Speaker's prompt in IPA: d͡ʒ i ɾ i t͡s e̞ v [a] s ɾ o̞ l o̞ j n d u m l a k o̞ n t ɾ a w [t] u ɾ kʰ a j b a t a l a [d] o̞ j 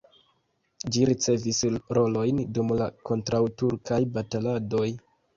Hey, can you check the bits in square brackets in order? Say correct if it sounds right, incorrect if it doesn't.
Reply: incorrect: i, correct, correct

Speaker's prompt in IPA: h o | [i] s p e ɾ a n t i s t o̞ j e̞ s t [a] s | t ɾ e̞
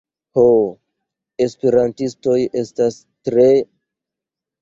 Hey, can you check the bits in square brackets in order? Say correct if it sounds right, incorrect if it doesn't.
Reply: incorrect: e, correct

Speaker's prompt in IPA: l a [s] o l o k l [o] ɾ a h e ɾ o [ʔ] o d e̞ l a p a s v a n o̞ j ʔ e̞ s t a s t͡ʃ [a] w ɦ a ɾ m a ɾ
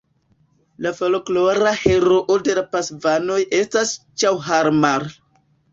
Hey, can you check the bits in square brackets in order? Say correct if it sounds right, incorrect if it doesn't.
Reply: incorrect: f, correct, correct, correct

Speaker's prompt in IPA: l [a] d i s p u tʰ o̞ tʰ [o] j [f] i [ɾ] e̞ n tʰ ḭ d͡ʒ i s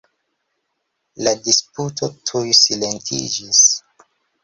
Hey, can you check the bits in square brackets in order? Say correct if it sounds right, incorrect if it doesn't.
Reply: correct, incorrect: u, incorrect: s, incorrect: l

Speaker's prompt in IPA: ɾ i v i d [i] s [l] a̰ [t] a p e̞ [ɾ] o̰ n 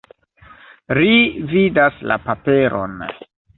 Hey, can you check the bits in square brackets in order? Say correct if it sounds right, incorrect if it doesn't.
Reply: incorrect: a, correct, incorrect: p, correct

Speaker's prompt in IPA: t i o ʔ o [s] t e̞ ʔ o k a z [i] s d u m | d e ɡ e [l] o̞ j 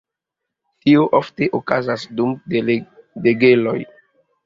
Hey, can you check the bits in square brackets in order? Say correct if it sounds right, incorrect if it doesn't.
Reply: incorrect: f, incorrect: a, correct

